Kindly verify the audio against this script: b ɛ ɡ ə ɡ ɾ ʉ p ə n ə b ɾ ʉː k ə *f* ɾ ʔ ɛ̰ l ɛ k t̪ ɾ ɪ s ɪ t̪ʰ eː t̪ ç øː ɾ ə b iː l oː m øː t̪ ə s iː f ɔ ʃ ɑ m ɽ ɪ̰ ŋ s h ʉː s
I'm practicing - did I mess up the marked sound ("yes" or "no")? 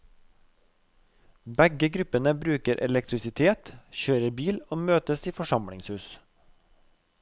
yes